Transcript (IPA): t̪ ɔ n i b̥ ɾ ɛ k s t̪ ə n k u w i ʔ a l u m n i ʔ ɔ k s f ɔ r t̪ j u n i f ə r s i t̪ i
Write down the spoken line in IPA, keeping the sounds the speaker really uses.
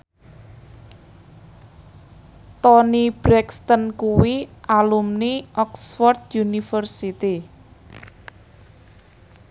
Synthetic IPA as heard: t̪ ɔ n i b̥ ɾ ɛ k s t̪ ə n k u w i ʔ a l u m n i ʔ ɔ k s f ɔ r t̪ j u n i f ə r s i t̪ i